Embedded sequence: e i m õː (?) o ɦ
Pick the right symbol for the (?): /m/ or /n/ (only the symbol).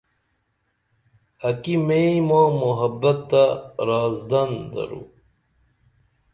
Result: m